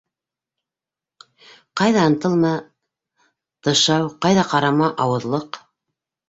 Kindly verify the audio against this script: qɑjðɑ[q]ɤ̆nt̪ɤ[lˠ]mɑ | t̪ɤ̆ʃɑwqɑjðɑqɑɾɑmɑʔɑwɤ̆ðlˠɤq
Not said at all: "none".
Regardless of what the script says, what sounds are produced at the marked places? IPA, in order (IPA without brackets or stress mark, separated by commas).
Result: none, lˠ